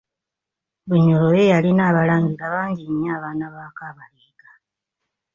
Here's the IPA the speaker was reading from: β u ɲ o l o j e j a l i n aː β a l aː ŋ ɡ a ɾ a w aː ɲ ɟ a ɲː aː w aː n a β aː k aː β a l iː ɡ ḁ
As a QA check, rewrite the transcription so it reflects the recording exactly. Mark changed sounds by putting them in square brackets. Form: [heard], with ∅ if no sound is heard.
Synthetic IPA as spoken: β u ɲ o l o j e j a l i n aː β a l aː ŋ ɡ [i] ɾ a [β] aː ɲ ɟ [i] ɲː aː [β] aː n a β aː k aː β a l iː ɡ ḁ